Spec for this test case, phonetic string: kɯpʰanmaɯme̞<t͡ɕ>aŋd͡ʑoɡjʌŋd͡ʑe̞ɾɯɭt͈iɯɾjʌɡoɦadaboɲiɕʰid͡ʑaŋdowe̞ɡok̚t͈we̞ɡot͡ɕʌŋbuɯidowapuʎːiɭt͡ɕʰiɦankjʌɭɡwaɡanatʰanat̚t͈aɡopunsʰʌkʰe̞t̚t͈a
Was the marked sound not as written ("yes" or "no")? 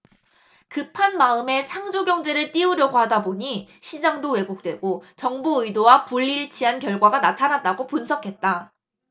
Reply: yes